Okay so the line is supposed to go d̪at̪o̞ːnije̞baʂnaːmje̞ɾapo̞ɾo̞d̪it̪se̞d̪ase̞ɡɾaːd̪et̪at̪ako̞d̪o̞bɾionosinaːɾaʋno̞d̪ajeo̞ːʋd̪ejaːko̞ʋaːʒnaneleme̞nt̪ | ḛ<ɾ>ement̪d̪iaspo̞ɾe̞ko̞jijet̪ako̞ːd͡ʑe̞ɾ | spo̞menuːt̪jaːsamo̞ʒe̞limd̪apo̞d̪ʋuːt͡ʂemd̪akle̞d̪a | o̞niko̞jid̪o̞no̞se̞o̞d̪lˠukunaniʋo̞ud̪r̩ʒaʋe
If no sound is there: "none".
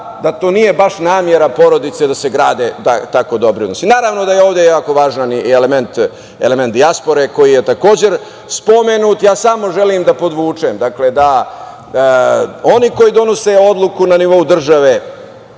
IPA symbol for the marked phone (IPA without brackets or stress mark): l